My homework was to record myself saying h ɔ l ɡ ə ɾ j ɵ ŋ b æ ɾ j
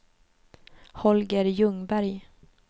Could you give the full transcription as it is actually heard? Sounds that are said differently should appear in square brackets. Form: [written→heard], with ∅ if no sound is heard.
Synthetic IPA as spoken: h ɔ l ɡ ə ɾ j ɵ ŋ b æ ɾ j